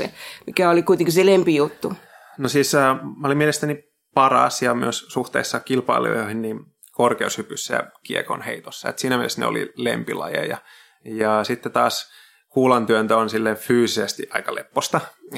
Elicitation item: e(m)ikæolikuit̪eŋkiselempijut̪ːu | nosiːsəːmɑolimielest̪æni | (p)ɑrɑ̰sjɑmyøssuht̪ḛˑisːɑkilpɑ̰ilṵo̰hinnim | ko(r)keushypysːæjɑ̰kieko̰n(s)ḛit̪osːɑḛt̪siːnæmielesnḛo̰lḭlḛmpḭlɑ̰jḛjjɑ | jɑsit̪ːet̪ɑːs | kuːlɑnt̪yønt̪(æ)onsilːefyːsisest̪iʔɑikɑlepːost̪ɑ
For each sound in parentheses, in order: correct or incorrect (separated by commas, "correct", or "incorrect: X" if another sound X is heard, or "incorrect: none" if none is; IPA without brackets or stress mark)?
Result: correct, correct, correct, incorrect: h, correct